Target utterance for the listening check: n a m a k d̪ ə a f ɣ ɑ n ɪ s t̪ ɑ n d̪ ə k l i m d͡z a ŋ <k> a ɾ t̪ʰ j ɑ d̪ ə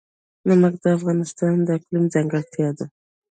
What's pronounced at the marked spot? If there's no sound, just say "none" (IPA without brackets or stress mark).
ɡ